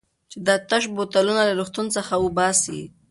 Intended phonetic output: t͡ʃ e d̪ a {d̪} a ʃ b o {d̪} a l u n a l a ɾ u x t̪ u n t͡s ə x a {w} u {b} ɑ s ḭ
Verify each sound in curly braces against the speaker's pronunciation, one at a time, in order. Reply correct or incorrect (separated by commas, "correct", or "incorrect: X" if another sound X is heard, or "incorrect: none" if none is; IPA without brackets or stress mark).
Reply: incorrect: t̪, incorrect: t̪, correct, correct